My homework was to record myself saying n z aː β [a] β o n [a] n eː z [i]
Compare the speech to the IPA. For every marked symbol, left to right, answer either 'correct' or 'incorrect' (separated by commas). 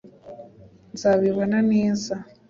incorrect, correct, incorrect